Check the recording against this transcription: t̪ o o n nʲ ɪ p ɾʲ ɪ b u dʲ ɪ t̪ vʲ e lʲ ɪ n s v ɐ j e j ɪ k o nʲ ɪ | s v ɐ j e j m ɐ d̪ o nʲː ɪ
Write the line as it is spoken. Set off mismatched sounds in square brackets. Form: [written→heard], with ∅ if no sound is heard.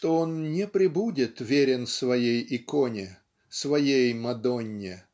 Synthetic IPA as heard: t̪ o o n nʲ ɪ p ɾʲ ɪ b u dʲ ɪ t̪ vʲ e [lʲ→ɾʲ] ɪ n s v ɐ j e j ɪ k o nʲ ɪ | s v ɐ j e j m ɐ d̪ o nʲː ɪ